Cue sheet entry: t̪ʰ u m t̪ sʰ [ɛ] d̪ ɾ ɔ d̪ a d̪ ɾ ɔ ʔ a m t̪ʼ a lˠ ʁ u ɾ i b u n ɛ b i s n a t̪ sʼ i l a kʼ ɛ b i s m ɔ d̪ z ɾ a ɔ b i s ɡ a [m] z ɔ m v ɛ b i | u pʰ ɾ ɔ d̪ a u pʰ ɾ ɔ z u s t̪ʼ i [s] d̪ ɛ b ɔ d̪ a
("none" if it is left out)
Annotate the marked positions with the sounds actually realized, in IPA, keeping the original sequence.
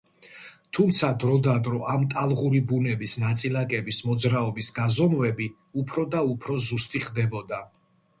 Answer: a, none, χ

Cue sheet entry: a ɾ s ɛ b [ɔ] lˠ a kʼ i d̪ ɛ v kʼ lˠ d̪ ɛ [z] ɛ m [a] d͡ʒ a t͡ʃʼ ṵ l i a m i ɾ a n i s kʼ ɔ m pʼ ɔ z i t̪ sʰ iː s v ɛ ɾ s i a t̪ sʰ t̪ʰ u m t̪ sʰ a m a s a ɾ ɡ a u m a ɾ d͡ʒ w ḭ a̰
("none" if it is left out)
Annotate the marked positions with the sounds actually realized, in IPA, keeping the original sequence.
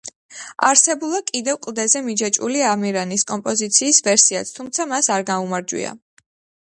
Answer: u, z, i

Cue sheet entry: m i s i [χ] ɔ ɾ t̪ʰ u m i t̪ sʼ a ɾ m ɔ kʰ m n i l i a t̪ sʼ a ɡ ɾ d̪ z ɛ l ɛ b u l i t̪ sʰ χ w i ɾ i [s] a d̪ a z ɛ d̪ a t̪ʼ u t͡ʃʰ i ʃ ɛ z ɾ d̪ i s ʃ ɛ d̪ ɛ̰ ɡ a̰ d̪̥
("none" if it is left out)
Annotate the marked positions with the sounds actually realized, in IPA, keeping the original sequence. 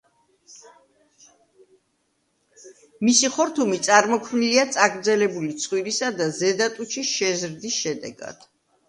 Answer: χ, s

